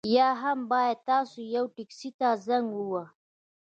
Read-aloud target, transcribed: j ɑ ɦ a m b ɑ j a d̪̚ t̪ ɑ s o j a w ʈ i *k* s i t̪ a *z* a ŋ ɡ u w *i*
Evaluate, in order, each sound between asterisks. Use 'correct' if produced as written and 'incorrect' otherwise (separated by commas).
correct, correct, incorrect